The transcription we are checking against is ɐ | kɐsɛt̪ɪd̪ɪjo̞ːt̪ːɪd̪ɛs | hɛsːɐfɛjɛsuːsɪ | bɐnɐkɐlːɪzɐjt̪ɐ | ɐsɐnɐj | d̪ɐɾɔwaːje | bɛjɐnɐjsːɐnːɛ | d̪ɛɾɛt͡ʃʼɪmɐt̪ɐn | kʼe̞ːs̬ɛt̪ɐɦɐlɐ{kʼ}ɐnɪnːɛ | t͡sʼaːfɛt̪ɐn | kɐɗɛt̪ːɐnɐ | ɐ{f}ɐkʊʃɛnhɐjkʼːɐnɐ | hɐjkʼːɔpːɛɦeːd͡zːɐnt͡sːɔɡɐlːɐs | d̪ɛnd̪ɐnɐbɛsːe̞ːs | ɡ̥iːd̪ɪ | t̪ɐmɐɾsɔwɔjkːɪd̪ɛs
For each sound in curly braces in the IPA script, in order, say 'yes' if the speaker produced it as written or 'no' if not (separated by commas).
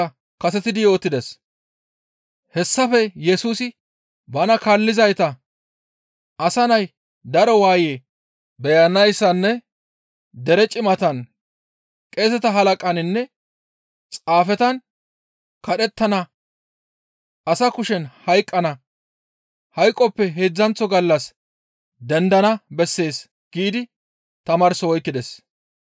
yes, no